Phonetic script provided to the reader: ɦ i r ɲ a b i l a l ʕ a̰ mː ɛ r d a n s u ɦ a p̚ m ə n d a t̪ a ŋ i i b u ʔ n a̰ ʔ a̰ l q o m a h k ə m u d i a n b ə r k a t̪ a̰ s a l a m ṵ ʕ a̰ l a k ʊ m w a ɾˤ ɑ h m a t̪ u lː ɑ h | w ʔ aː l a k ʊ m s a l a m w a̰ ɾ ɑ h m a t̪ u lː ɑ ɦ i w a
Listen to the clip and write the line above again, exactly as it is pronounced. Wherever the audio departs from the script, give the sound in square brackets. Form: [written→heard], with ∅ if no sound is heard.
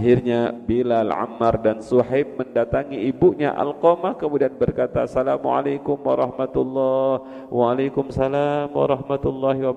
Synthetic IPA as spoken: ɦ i r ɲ a b i l a l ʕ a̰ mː [ɛ→a] r d a n s u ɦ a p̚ m ə n d a t̪ a ŋ i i b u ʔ [n→ɲ] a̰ ʔ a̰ l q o m a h k ə m u d i a n b ə r k a t̪ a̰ s a l a m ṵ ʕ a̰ l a k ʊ m w a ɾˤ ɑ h m a t̪ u lː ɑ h | w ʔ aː l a k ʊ m s a l a m w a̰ ɾ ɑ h m a t̪ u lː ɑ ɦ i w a